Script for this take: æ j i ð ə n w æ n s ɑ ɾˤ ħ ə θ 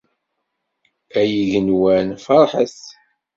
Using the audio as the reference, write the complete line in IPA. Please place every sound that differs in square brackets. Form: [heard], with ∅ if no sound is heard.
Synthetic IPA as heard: æ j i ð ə n w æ n [f] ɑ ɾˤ ħ ə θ